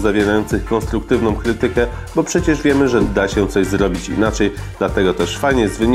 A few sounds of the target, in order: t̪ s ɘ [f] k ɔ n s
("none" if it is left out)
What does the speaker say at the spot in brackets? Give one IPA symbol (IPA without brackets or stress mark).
x